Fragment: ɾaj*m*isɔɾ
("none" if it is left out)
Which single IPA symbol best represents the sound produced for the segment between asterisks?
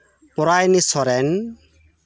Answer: n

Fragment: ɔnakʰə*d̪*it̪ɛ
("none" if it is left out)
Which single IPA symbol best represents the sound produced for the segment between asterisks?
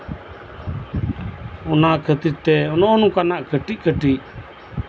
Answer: t̪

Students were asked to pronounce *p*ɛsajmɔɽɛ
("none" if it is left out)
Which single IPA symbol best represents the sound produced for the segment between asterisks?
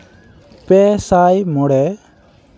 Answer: p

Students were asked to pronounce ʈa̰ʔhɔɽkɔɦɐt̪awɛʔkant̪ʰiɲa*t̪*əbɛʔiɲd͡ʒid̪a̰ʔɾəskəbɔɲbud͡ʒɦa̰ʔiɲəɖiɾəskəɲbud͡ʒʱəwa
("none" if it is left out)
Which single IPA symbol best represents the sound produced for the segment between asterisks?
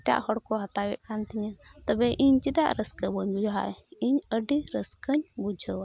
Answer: t̪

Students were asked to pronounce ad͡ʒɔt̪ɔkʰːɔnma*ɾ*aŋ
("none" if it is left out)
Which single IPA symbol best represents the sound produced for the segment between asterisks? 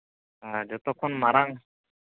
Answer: ɾ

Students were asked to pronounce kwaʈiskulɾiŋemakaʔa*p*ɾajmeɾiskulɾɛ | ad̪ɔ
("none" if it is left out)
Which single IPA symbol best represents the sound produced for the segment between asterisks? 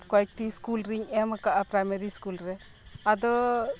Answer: p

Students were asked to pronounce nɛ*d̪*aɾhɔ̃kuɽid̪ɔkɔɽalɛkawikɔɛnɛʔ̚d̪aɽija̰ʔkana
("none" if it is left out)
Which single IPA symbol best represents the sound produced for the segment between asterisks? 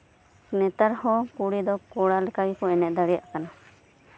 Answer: t̪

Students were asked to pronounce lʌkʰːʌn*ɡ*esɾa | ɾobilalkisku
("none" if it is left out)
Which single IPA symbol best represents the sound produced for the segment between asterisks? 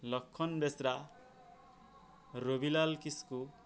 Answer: b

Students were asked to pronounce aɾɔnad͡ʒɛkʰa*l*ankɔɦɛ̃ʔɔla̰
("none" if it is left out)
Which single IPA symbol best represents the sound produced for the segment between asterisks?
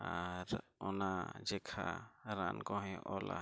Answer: ɾ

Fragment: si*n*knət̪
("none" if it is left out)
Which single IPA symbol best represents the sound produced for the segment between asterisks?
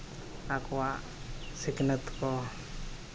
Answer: none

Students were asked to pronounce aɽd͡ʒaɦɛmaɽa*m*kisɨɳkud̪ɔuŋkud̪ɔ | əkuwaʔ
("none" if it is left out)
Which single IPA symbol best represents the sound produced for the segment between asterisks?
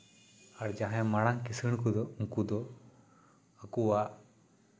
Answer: ŋ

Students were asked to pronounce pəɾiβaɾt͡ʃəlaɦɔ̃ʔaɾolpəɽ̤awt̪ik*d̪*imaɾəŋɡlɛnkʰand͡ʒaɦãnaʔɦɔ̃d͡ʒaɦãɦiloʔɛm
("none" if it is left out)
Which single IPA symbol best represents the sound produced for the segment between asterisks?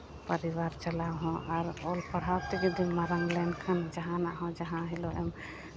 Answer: d̪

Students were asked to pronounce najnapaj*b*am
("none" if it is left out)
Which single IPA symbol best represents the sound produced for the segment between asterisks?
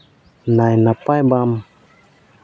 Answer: b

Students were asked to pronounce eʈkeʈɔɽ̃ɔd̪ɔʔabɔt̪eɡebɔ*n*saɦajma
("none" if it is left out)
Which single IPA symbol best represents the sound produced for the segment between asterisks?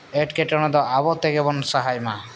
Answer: n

